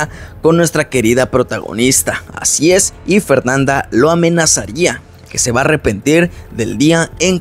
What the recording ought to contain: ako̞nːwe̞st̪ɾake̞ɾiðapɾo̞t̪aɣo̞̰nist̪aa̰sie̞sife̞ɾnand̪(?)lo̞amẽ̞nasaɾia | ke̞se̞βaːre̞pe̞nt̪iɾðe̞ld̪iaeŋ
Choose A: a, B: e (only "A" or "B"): A